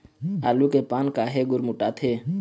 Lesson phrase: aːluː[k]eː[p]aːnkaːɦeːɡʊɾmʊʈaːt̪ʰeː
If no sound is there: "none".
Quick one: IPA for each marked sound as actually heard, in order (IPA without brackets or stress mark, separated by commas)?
k, p